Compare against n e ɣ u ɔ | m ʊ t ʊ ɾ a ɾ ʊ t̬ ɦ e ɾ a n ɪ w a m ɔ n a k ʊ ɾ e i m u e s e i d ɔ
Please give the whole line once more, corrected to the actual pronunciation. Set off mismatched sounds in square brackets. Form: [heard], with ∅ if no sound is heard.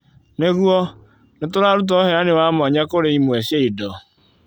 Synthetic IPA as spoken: n e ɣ u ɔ | [n] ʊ t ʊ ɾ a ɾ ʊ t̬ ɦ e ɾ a n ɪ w a m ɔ [ɲ] a k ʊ ɾ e i m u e s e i d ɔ